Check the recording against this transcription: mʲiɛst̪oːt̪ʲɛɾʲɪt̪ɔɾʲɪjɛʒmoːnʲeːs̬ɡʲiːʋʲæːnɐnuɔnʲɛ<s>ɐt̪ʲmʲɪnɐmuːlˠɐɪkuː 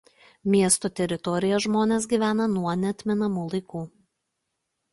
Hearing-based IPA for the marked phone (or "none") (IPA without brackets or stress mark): none